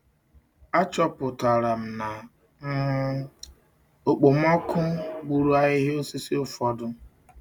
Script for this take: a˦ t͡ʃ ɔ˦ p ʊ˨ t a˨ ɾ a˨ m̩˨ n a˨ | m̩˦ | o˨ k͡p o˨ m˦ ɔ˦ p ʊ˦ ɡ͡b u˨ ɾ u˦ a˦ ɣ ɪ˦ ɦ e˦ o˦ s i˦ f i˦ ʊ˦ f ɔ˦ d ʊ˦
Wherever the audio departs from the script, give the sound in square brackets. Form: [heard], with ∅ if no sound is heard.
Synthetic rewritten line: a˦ t͡ʃ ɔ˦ p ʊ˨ t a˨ ɾ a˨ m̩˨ n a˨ | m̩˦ | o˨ k͡p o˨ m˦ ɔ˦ [k] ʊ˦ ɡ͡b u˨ ɾ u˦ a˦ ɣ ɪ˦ ɦ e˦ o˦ s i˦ [s] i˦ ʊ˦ f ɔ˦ d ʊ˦